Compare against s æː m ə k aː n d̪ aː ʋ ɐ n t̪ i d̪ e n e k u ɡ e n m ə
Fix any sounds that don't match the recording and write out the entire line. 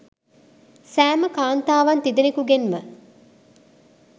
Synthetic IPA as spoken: s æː m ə k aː n t̪ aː ʋ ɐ n t̪ i d̪ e n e k u ɡ e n m ə